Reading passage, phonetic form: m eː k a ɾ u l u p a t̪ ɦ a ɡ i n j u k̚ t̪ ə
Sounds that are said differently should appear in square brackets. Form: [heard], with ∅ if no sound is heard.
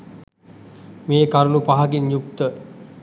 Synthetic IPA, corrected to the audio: m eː k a ɾ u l u p a [∅] ɦ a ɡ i n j u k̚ t̪ ə